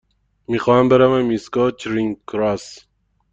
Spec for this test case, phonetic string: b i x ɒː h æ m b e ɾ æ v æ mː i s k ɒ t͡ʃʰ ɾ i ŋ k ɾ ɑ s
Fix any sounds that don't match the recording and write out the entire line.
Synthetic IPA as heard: m i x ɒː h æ m b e ɾ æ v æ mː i s k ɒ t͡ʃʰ ɾ i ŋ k ɾ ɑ s